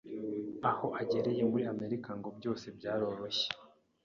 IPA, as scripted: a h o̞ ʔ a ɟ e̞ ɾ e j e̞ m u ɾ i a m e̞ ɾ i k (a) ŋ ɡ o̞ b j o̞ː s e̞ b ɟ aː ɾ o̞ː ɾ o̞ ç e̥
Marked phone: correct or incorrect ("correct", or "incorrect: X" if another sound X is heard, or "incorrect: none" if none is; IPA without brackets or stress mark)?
correct